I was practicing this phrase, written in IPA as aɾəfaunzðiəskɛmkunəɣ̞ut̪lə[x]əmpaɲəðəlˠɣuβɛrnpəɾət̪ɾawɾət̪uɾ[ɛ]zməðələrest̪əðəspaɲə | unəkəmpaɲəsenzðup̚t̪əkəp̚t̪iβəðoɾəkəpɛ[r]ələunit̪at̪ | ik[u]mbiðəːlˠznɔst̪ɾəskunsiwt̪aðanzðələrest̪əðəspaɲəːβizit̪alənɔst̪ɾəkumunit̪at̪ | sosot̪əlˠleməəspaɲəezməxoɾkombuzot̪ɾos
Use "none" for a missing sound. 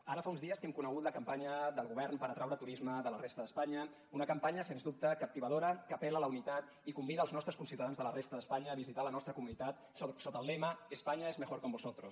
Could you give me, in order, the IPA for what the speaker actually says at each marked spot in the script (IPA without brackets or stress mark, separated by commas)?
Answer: k, i, l, u